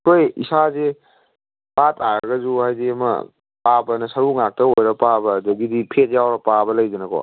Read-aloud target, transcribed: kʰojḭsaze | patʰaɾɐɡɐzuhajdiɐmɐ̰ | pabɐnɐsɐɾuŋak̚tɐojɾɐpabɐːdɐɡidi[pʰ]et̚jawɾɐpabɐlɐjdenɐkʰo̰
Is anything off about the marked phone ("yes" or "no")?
no